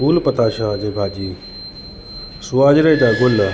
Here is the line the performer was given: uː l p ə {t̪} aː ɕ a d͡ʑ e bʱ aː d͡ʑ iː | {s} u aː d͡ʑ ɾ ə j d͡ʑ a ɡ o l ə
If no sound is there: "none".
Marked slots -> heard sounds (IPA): t̪, s

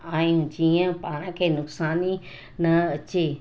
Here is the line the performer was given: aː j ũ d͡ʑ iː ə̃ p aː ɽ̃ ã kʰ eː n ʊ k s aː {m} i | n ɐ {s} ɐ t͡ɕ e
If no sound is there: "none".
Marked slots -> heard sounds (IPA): n, none

